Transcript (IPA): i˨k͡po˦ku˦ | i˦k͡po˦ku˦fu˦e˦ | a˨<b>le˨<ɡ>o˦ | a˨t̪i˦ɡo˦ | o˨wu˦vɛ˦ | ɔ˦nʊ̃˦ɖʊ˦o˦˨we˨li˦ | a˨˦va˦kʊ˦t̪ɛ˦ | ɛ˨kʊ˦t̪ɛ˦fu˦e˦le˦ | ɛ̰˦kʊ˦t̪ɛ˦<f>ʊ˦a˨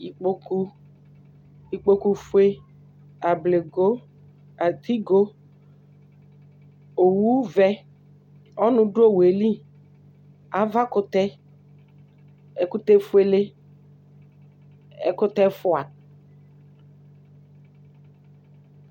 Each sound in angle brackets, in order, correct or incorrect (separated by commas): correct, correct, correct